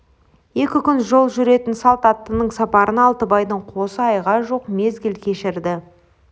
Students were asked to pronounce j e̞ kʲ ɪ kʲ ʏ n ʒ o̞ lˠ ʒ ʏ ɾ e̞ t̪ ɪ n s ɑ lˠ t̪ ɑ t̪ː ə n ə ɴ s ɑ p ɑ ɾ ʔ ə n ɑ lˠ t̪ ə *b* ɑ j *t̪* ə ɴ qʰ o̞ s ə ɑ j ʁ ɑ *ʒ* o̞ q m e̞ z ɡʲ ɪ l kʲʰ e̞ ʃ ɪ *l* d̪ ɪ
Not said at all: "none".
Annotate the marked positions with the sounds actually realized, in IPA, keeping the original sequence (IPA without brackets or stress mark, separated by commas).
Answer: b, d̪, ʒ, ɾ